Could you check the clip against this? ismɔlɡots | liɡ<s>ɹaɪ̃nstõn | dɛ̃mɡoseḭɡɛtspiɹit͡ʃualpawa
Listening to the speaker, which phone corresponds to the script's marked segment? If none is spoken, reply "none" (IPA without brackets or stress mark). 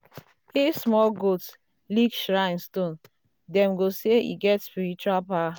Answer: ʃ